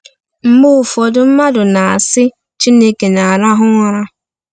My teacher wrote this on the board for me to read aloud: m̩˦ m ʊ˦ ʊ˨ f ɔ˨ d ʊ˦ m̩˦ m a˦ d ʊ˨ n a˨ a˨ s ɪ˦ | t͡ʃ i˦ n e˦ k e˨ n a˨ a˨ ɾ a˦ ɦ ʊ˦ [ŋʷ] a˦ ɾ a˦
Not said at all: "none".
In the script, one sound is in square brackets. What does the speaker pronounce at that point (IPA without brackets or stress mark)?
ŋʷ